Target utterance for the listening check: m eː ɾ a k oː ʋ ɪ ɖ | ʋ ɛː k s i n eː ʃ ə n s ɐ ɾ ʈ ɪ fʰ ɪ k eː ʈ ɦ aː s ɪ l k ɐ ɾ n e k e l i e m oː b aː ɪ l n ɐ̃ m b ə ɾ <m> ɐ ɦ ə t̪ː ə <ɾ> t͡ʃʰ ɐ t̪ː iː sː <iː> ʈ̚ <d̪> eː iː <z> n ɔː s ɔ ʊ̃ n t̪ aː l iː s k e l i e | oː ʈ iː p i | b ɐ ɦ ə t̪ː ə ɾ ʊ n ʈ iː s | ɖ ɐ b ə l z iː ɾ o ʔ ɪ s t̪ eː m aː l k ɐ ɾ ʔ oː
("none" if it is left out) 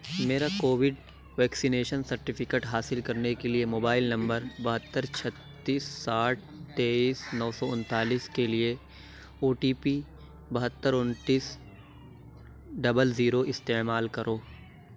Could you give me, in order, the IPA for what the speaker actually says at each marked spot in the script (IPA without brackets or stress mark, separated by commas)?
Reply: b, ɾ, aː, t̪, s